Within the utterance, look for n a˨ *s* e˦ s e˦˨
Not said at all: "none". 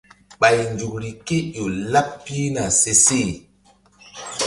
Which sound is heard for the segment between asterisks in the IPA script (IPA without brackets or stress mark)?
s